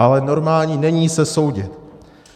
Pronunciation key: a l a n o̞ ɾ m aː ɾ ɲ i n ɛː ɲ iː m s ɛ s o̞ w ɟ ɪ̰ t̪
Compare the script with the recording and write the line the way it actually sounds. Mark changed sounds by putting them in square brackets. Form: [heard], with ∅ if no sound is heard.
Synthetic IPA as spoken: a l [ɛ] n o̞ ɾ m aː [l] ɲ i n [ɛ] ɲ iː [∅] s ɛ s o̞ w ɟ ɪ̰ t̪